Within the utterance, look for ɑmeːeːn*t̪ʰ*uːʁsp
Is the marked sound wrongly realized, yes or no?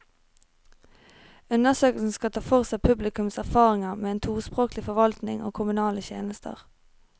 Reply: no